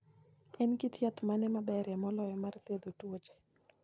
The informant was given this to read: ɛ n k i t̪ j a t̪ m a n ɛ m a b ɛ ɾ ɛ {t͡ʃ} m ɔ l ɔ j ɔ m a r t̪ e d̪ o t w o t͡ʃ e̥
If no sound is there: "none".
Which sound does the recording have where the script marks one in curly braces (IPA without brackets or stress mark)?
none